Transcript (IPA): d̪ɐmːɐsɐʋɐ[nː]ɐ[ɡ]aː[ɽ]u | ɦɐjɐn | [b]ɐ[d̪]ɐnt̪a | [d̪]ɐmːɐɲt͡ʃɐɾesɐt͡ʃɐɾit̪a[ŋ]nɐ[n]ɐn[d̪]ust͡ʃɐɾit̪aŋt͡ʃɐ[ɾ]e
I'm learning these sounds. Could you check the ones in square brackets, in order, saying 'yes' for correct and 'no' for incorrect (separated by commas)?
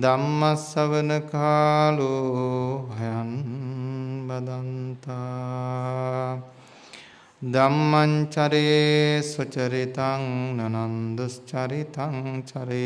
no, no, no, yes, yes, yes, yes, yes, yes, yes